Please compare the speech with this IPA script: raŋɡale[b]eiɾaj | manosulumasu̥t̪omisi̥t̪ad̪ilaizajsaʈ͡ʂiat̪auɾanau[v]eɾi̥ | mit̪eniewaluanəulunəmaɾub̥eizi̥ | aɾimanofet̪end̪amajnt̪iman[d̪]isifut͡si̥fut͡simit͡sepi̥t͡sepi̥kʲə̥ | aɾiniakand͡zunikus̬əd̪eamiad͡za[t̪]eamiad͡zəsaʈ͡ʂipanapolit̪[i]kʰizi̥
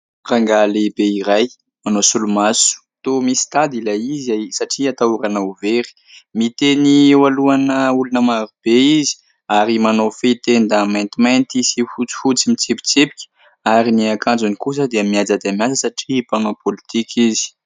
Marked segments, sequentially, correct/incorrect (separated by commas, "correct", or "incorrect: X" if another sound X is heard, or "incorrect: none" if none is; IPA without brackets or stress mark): correct, correct, incorrect: t̪, incorrect: d̪, correct